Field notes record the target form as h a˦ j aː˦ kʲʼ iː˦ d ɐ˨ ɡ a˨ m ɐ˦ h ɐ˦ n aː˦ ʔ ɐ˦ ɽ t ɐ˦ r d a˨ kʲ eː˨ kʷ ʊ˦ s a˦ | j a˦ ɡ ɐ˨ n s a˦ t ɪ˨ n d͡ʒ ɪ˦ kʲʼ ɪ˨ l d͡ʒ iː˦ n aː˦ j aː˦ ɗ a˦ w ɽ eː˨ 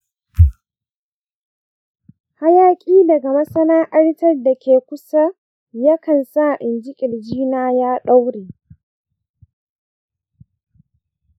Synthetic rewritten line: h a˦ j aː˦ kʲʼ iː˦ d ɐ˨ ɡ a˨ m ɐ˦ s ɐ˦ n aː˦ ʔ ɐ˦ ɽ t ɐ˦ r d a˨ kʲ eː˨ kʷ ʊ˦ s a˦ | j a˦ k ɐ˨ n s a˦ ʔ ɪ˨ n d͡ʒ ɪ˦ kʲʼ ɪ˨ l d͡ʒ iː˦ n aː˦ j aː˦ ɗ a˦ w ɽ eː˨